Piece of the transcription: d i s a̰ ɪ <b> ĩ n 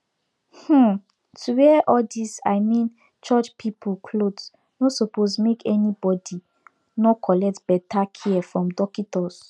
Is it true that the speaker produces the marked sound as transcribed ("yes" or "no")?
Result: no